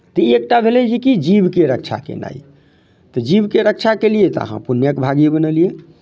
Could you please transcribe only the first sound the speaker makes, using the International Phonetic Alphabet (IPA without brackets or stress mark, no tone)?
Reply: t̪